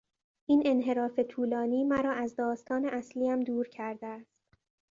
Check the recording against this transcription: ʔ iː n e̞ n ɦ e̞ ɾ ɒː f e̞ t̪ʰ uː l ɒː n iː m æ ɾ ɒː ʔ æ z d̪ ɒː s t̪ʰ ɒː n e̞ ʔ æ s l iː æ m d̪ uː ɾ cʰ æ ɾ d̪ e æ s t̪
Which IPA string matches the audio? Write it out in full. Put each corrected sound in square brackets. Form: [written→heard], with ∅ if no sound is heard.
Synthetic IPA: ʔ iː n e̞ n ɦ e̞ ɾ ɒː f e̞ t̪ʰ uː l ɒː n iː m æ ɾ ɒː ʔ æ z d̪ ɒː s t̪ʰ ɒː n e̞ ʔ æ s l iː æ m d̪ uː ɾ cʰ æ ɾ d̪ e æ s t̪